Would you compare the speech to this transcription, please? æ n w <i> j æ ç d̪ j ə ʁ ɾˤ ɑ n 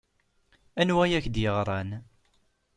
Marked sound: incorrect: æ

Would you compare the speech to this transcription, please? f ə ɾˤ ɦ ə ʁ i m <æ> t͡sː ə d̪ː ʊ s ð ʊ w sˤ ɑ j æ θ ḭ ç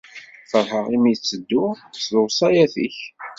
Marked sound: incorrect: i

